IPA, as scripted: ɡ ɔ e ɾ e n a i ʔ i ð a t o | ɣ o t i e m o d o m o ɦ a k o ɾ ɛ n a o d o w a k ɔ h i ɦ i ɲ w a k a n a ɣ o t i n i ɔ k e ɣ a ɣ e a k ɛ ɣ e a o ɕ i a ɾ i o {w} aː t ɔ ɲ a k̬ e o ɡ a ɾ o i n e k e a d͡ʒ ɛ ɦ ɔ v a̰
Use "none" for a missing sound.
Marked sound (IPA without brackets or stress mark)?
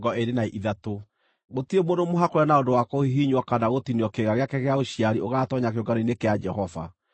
ɣ